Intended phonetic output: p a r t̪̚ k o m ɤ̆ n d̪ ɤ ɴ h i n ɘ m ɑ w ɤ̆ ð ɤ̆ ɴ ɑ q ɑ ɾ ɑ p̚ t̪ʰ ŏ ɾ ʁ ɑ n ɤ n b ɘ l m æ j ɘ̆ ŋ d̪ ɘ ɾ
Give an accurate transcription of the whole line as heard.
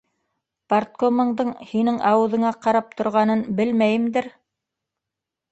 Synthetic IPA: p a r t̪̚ k o m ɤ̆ ɴ d̪ ɤ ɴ h i n ɘ ŋ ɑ w ɤ̆ ð ɤ̆ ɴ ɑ q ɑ ɾ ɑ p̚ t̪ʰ ŏ ɾ ʁ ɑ n ɤ n b ɘ l m æ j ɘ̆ m d̪ ɘ ɾ